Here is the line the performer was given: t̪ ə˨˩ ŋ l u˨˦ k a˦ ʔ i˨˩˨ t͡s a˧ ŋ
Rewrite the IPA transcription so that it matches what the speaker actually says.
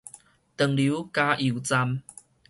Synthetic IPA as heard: t̪ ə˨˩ ŋ l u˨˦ k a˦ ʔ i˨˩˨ t͡s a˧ m